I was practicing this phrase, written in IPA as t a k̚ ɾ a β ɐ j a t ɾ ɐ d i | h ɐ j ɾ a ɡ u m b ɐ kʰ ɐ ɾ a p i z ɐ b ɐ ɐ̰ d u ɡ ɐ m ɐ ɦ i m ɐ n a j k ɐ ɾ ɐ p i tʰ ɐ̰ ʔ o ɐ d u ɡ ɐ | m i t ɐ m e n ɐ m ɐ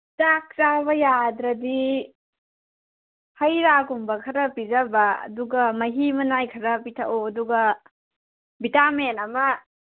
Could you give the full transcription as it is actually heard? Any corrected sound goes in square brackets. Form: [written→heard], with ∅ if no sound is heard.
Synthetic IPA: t a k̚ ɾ a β ɐ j a [t→d] ɾ ɐ d i | h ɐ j ɾ a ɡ u m b ɐ kʰ ɐ ɾ [a→ɐ] p i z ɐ b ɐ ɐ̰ d u ɡ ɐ m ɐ ɦ i m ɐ n a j [k→kʰ] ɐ ɾ ɐ p i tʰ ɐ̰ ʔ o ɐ d u ɡ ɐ | [m→b] i t [ɐ→a] m e n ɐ m ɐ